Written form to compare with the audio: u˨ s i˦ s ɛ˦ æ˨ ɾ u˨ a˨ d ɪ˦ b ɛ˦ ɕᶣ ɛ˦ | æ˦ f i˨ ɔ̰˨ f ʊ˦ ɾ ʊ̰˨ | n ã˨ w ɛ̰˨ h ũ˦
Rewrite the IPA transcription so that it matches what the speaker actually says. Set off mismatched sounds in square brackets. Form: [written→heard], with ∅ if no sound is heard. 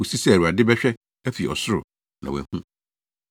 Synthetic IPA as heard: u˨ s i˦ s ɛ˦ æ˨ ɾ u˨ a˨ d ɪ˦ b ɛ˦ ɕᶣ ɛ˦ | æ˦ f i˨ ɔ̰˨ [f→s] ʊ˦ ɾ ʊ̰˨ | n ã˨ w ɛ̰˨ h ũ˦